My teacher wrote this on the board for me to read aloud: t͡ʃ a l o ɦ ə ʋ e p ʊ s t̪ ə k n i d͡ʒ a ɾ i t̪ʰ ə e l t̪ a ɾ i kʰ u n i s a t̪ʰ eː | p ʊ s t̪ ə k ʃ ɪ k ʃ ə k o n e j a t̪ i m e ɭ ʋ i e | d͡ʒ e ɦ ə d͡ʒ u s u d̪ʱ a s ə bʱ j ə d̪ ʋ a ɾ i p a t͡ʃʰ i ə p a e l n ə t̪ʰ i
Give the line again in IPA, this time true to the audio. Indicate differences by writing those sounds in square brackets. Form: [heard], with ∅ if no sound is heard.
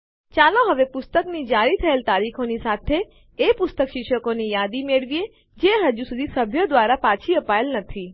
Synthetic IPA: t͡ʃ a l o ɦ ə ʋ e p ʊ s t̪ ə k n i d͡ʒ a ɾ i t̪ʰ ə e l t̪ a ɾ i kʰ [o] n i s a t̪ʰ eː | p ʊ s t̪ ə k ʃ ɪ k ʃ ə k o n [i] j a [d̪] i m e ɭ ʋ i e | d͡ʒ e ɦ ə d͡ʒ u s u d̪ʱ [i] s ə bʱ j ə d̪ ʋ a ɾ [a] p a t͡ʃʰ i ə p a e l n ə t̪ʰ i

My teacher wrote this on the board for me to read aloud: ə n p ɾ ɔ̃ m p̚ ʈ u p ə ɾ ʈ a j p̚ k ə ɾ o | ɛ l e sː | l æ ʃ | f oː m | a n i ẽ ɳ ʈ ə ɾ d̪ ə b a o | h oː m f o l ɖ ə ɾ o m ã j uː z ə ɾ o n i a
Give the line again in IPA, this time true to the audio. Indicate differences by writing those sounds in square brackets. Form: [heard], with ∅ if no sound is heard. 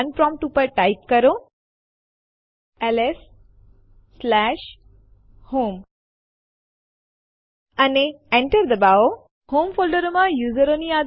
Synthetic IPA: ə n p ɾ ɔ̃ m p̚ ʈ u p ə ɾ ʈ a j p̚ k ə ɾ o | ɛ l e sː | l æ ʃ | [h] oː m | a n [e] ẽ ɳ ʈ ə ɾ d̪ ə b a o | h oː m f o l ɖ ə ɾ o m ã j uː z ə ɾ o n i a

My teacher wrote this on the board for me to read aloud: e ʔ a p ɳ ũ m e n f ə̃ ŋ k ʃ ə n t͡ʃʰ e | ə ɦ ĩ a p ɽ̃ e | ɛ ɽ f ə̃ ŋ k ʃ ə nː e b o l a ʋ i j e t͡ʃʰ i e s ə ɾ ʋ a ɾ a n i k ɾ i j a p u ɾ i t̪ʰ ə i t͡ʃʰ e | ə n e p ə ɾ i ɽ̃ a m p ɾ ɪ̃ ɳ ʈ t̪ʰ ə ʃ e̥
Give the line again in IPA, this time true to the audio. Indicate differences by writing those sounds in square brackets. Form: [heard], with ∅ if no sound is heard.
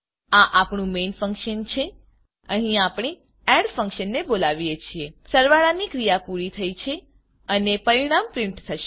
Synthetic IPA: [a] ʔ a p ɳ ũ m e n f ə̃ ŋ k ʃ ə n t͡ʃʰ e | ə ɦ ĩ a p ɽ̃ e | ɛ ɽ f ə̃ ŋ k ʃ ə nː e b o l a ʋ i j e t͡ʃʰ i e s ə ɾ ʋ a [ɭ] a n i k ɾ i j a p u ɾ i t̪ʰ ə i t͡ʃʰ e | ə n e p ə ɾ i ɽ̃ a m p ɾ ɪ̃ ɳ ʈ t̪ʰ ə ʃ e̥

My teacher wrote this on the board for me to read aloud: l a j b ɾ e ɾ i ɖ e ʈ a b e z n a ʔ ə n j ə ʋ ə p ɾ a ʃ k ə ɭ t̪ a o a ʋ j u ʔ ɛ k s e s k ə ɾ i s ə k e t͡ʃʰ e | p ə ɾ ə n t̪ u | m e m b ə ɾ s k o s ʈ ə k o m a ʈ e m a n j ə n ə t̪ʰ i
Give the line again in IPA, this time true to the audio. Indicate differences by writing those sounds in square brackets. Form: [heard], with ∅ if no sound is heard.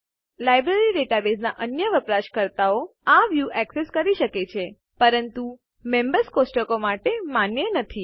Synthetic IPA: l a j b ɾ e ɾ i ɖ e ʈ a b e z n a ʔ ə n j ə ʋ ə p ɾ a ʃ k ə [ɾ] t̪ a o a ʋ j u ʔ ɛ k s e s k ə ɾ i [ʃ] ə k e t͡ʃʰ e | p ə ɾ ə n t̪ u | m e m b ə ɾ s k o s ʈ ə k o m a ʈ e m a n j ə n ə t̪ʰ i

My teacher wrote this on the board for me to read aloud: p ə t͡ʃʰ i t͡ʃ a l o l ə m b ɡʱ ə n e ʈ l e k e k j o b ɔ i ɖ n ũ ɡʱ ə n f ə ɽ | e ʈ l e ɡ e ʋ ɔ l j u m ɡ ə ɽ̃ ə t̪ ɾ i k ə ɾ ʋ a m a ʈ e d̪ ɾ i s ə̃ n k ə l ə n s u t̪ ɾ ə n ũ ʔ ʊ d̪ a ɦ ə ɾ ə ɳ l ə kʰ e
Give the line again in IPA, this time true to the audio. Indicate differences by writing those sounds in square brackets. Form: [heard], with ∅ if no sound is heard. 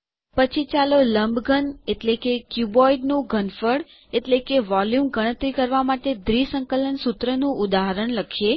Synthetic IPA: p ə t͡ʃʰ i t͡ʃ a l o l ə m b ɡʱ ə n e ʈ l e k e k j [u] b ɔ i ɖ n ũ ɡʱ ə n f ə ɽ | e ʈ l e [k] e ʋ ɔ l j u m ɡ ə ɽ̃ ə t̪ ɾ i k ə ɾ ʋ a m a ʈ e d̪ ɾ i s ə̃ [ŋ] k ə l ə n s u t̪ ɾ ə n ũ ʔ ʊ d̪ a ɦ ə ɾ ə ɳ l ə kʰ e

